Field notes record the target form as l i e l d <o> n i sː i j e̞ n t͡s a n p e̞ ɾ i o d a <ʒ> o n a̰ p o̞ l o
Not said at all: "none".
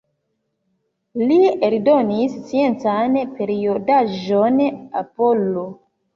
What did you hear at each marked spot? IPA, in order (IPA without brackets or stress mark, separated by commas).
o, ʒ